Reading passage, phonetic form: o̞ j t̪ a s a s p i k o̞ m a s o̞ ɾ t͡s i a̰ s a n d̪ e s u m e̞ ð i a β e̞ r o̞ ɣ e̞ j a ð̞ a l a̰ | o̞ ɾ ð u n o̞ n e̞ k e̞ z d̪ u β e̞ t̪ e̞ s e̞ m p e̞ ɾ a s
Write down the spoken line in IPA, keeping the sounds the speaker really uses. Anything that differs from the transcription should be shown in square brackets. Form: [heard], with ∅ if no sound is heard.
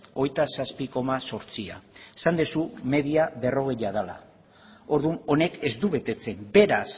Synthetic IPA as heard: o̞ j t̪ a s a s p i k o̞ m a s o̞ ɾ t͡s i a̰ s a n d̪ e s u m e̞ ð i a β e̞ r o̞ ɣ e̞ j a ð̞ a l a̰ | o̞ ɾ ð u n o̞ n e̞ k e̞ z d̪ u β e̞ t̪ e̞ [t͡s] e̞ m [b] e̞ ɾ a s